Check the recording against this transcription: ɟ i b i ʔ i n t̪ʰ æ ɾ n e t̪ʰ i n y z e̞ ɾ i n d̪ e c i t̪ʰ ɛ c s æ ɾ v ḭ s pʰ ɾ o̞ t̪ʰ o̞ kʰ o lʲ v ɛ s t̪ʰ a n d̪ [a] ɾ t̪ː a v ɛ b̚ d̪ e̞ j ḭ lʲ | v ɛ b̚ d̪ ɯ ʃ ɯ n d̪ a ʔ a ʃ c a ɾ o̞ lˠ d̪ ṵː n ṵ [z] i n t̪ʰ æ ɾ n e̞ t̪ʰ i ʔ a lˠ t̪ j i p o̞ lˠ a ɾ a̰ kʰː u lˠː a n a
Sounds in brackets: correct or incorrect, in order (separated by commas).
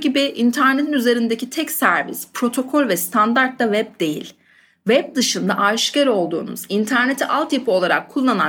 correct, correct